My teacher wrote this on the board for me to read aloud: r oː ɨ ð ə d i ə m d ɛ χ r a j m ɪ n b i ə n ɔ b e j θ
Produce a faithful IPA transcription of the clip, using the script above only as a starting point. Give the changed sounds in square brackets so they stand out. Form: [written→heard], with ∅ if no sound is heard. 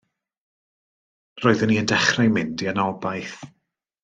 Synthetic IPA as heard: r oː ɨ ð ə [d→n] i ə [m→n] d ɛ χ r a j m ɪ n [b→d] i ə n ɔ b [e→a] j θ

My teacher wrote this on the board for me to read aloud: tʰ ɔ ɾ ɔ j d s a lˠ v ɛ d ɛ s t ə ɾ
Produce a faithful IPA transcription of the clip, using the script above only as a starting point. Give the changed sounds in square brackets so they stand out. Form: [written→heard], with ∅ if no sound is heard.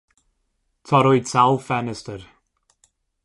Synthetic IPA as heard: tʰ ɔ ɾ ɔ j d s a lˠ [v→f] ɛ [d→n] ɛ s t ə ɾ

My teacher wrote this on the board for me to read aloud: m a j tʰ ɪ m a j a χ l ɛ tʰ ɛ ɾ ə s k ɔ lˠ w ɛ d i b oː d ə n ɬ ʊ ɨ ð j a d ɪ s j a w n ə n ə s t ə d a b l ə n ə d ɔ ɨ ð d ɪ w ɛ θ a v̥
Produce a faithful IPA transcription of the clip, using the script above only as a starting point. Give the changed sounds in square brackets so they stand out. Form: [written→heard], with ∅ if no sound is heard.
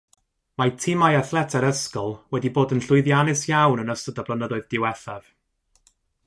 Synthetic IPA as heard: m a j tʰ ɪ m a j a [χ→θ] l ɛ tʰ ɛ ɾ ə s k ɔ lˠ w ɛ d i b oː d ə n ɬ ʊ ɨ ð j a [d→n] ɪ s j a w n ə n ə s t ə d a b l ə n ə d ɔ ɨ ð d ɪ w ɛ θ a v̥

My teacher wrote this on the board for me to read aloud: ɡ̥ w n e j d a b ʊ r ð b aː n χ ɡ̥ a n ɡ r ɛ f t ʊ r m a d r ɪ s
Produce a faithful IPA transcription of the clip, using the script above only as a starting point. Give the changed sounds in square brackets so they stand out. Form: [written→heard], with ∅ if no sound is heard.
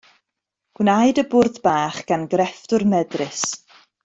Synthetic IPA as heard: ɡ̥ w n [e→a] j d [a→ə] b ʊ r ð b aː [n→∅] χ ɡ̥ a n ɡ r ɛ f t ʊ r m [a→ɛ] d r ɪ s

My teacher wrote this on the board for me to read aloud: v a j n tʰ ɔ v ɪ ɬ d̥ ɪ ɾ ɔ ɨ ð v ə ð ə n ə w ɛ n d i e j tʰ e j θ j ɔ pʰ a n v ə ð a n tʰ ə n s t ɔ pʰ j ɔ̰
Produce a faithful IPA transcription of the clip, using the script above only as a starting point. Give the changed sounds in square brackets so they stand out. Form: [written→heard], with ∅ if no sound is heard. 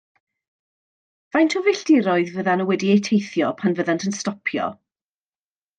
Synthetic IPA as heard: v a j n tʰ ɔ v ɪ ɬ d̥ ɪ ɾ ɔ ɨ ð v ə ð [ə→a] n ə w ɛ [n→∅] d i e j tʰ e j θ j ɔ pʰ a n v ə ð a n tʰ ə n s t ɔ pʰ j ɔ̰

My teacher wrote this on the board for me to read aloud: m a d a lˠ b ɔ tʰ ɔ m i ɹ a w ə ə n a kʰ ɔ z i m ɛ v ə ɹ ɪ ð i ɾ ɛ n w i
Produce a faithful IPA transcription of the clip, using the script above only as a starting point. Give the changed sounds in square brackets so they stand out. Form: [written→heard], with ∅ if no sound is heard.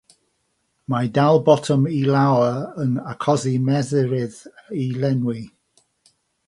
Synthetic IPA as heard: m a d a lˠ b ɔ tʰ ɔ m i [ɹ→l] a w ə ə n a kʰ ɔ z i m ɛ [v→ð] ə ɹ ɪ ð i [ɾ→l] ɛ n w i

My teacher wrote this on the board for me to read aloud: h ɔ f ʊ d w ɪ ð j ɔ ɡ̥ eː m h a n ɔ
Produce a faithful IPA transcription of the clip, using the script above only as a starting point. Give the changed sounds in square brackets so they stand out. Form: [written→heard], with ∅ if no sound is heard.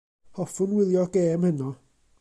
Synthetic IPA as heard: h ɔ f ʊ [d→n] w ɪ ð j ɔ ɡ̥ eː m h [a→ə] n ɔ

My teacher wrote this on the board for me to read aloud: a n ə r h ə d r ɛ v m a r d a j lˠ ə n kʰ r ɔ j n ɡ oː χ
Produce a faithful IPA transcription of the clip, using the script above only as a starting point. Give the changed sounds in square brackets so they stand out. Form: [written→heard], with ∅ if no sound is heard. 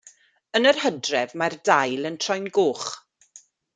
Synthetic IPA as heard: [a→ə] n ə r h ə d r ɛ v m a r d a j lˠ ə n [kʰ→tʰ] r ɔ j n ɡ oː χ

